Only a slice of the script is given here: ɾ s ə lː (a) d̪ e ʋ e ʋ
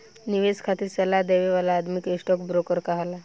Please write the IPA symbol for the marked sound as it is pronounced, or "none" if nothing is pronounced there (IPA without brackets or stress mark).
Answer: a